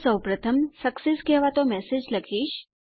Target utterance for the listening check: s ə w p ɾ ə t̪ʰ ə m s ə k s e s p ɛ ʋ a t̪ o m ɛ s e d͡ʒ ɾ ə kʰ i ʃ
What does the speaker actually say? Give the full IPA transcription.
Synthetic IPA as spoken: s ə w p ɾ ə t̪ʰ ə m s ə k s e s k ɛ ʋ a t̪ o m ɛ s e d͡ʒ l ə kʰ i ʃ